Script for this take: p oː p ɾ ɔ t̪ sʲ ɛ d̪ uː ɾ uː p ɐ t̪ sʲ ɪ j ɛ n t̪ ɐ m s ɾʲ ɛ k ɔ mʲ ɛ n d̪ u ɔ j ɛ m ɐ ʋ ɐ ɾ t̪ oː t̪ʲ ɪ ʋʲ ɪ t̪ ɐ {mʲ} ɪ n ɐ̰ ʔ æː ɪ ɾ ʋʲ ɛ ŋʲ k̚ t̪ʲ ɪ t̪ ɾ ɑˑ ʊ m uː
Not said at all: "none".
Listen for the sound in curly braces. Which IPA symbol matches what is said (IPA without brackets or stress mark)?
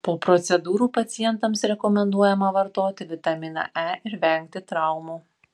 mʲ